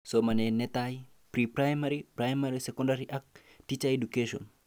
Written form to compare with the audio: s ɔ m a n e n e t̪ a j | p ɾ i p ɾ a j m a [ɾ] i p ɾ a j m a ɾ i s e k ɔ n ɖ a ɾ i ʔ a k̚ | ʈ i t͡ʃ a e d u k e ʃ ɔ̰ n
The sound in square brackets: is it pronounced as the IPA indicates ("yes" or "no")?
yes